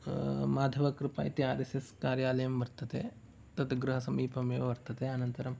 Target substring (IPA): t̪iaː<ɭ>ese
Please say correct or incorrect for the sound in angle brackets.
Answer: incorrect